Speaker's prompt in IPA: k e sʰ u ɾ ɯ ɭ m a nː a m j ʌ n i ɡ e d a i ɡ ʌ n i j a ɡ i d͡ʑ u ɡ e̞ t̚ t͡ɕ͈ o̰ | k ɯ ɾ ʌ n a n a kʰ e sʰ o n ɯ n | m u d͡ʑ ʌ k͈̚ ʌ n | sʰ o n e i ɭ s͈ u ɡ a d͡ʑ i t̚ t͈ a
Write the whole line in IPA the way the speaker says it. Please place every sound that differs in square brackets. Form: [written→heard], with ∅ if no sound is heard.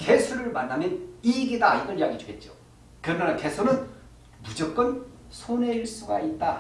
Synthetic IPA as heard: k e sʰ u ɾ ɯ ɭ m a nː a m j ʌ n i ɡ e d a i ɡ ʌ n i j a ɡ i d͡ʑ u ɡ e̞ t̚ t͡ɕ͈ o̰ | k ɯ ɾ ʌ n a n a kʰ e sʰ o n ɯ n | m u d͡ʑ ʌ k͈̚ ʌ n | sʰ o n e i ɭ s͈ u ɡ a [d͡ʑ→∅] i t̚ t͈ a

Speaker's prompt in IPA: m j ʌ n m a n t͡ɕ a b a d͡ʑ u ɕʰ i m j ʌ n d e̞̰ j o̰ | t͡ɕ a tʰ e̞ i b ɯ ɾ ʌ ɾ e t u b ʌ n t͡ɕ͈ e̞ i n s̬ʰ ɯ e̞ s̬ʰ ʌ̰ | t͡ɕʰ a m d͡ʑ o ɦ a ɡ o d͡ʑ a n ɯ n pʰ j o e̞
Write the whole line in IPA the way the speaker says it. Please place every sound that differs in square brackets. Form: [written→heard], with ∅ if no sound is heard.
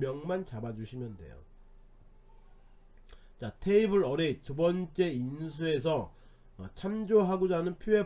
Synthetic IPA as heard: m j ʌ [n→ŋ] m a n t͡ɕ a b a d͡ʑ u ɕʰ i m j ʌ n d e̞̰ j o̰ | t͡ɕ a tʰ e̞ i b ɯ ɾ ʌ ɾ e t u b ʌ n t͡ɕ͈ e̞ i n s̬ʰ [ɯ→u] e̞ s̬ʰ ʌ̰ | t͡ɕʰ a m d͡ʑ o ɦ a ɡ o d͡ʑ a n ɯ n pʰ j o e̞

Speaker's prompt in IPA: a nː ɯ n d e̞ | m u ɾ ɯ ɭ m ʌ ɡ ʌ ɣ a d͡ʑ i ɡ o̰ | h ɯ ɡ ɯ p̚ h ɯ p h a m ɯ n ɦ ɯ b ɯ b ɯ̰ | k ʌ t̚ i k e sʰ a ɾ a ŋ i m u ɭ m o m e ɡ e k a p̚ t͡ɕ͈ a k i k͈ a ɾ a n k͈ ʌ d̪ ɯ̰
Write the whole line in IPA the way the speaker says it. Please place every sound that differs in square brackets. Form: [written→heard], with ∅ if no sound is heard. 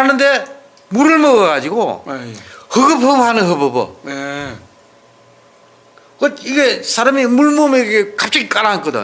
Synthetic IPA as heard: a [nː→n] ɯ n d e̞ | m u ɾ ɯ ɭ m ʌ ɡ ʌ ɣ a d͡ʑ i ɡ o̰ | h ɯ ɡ ɯ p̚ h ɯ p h a [m→n] ɯ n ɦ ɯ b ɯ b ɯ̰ | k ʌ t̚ i [k→ɡ] e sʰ a ɾ a [ŋ→m] i m u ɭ m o m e ɡ e k a p̚ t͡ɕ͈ a [k→ɡ] i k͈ a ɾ a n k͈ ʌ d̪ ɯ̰

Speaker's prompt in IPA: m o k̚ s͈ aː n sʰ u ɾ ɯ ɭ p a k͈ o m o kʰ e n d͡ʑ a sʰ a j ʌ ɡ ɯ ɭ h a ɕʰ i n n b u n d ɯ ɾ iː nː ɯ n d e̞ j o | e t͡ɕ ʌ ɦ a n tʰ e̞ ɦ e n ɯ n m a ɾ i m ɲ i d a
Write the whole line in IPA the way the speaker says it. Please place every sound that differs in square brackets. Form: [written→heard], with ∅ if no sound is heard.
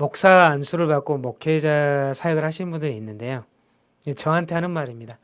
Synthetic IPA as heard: m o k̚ s͈ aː n sʰ u ɾ ɯ ɭ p a k͈ o m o kʰ e [n→∅] d͡ʑ a sʰ a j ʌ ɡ ɯ ɭ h a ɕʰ i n n b u n d ɯ ɾ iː nː ɯ n d e̞ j o | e t͡ɕ ʌ ɦ a n tʰ e̞ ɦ [e→a] n ɯ n m a ɾ i m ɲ i d a

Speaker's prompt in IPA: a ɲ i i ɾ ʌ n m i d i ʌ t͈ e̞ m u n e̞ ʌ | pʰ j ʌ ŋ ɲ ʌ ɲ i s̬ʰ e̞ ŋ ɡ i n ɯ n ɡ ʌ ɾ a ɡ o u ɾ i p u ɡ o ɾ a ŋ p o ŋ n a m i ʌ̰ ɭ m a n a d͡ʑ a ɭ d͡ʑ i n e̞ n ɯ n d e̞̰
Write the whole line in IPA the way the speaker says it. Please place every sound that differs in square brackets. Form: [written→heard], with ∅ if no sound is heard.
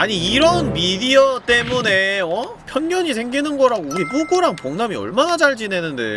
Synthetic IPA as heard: a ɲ i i ɾ ʌ n m i d i ʌ t͈ e̞ m u n e̞ ʌ | pʰ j ʌ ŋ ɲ ʌ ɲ i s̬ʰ e̞ ŋ ɡ i n ɯ n ɡ ʌ ɾ a ɡ o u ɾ i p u ɡ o ɾ a ŋ p o ŋ n a m i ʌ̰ ɭ m a n a d͡ʑ a ɭ d͡ʑ i n e̞ n ɯ n d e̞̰

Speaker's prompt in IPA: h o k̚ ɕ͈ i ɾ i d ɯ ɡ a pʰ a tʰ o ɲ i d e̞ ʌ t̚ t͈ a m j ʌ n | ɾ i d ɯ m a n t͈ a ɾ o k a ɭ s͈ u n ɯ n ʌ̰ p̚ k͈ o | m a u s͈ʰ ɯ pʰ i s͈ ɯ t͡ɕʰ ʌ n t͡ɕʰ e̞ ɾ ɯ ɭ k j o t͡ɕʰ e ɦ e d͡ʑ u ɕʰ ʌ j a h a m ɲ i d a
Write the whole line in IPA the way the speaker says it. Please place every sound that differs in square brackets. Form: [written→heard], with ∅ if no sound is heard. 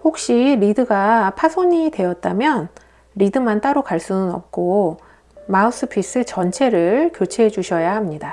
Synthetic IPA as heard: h o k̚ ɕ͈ i ɾ i d ɯ ɡ a pʰ a [tʰ→sʰ] o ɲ i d e̞ ʌ t̚ t͈ a m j ʌ n | ɾ i d ɯ m a n t͈ a ɾ o k a ɭ s͈ u n ɯ n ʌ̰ p̚ k͈ o | m a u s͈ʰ ɯ pʰ i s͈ ɯ [t͡ɕʰ→t͡ɕ] ʌ n t͡ɕʰ e̞ ɾ ɯ ɭ k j o t͡ɕʰ e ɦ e d͡ʑ u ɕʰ ʌ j a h a m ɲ i d a

